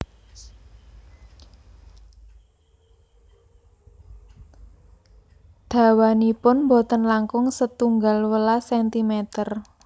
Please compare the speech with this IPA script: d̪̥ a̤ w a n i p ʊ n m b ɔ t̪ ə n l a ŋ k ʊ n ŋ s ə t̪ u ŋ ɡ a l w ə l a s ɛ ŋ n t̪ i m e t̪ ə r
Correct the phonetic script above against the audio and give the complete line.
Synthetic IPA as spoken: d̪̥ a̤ w a n i p ʊ n m b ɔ t̪ ə n l a ŋ k ʊ ŋ s ə t̪ u ŋ ɡ a l w ə l a s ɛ n t̪ i m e t̪ ə r